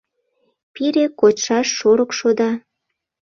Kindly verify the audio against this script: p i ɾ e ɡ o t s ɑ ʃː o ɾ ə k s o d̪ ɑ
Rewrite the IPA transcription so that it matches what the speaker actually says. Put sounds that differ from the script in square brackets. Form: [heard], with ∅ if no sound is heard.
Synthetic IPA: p i ɾ e [k] o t [ʃ] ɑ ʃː o ɾ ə k [ʃ] o d̪ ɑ